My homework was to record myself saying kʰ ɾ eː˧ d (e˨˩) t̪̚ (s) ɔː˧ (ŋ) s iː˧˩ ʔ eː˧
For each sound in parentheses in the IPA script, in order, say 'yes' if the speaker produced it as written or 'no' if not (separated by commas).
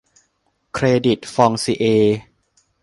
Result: no, no, yes